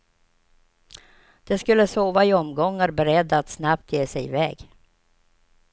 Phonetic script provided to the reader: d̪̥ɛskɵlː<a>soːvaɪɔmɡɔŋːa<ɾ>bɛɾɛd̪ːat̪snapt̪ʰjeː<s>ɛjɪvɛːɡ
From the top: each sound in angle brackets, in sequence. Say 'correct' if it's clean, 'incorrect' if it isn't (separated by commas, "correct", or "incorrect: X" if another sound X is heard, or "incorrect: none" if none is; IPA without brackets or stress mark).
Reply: incorrect: ə, correct, correct